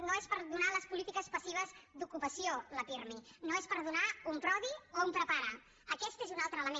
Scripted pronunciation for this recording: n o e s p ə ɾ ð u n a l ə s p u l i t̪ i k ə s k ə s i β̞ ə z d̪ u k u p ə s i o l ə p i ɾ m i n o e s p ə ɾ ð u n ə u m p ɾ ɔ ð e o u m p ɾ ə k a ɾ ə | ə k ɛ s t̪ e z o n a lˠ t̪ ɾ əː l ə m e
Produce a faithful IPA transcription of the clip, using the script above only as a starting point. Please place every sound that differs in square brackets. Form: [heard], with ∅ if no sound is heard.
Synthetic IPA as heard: n o e s p ə ɾ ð u n a l ə s p u l i t̪ i k ə s [p] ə s i β̞ ə z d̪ u k u p ə s i o l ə p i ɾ m i n o e s p ə ɾ ð u n [a] u m p ɾ ɔ ð [i] o u m p ɾ ə [p] a ɾ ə | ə k ɛ s t̪ e z [u] n a lˠ t̪ ɾ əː l ə m e